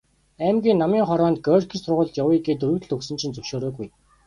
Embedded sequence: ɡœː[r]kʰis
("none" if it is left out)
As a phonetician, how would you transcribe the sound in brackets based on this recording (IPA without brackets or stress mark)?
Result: r